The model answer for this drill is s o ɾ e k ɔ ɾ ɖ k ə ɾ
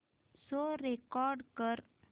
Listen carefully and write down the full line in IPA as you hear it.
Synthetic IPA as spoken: s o ɾ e k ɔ ɾ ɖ k ə ɾ